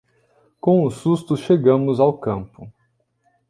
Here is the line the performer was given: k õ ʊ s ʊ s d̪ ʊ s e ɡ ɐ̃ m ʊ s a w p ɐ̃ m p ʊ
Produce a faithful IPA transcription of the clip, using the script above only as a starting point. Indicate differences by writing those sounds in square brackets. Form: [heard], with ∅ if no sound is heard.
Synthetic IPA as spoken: k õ ʊ s [u] s [t̪] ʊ [ʃ] e ɡ ɐ̃ m ʊ [z] a w [k] ɐ̃ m p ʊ